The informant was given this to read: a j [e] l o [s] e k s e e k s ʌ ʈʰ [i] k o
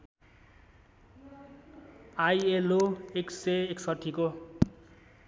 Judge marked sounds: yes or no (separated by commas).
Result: yes, no, yes